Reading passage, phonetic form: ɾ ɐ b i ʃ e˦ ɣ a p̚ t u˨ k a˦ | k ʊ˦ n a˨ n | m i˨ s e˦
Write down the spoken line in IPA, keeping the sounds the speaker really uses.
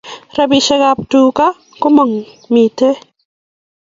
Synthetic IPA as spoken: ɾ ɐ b i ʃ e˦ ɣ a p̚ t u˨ k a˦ | k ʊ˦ m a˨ ŋ | m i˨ t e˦